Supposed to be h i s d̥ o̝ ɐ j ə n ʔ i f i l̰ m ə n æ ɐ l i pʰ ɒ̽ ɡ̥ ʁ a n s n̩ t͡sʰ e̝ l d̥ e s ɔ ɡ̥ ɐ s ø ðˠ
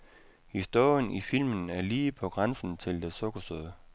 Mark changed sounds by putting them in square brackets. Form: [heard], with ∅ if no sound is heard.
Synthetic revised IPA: h i s d̥ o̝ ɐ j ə n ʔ i f i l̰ m ə n æ ɐ l [iː] pʰ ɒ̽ ɡ̥ ʁ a n s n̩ t͡sʰ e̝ l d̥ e s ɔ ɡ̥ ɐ s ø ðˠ